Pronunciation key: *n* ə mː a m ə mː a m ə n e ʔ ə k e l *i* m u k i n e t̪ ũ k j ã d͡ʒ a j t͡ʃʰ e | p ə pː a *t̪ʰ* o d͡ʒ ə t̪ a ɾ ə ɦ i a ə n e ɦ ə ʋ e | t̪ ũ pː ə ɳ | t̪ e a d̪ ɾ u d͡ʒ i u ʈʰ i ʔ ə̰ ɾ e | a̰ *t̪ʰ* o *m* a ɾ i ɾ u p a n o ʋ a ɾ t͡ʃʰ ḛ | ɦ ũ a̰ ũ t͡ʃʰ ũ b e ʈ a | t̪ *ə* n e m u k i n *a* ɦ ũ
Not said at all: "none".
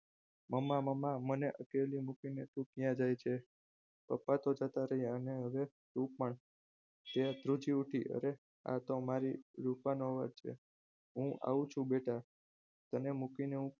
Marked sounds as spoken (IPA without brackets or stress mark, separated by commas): m, i, t̪, t̪, m, ə, e